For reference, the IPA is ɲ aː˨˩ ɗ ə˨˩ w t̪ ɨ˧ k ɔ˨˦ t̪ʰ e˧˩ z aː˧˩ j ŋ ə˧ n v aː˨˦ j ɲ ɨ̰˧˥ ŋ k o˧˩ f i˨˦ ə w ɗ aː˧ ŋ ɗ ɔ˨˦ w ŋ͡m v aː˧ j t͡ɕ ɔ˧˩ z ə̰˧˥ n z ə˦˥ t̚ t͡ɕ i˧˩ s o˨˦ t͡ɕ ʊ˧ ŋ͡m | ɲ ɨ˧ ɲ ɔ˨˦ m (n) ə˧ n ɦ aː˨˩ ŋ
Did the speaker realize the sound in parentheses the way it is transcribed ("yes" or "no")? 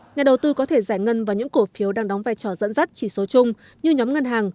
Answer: no